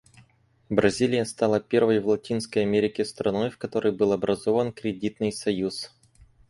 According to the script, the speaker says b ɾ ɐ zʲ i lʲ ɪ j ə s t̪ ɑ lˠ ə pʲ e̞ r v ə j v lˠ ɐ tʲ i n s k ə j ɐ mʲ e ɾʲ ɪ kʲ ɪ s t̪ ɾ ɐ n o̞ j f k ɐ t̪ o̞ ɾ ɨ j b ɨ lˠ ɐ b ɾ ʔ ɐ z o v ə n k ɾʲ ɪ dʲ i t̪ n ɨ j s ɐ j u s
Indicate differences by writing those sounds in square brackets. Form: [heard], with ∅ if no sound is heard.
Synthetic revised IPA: b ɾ ɐ zʲ i lʲ ɪ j ə s t̪ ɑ lˠ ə pʲ e̞ r v ə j v lˠ ɐ tʲ i n s k ə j ɐ mʲ e ɾʲ ɪ kʲ ɪ s t̪ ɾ ɐ n o̞ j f k ɐ t̪ o̞ ɾ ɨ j b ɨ lˠ ɐ b ɾ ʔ ɐ z o v ə n k ɾʲ ɪ dʲ i t̪ n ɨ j s ɐ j u s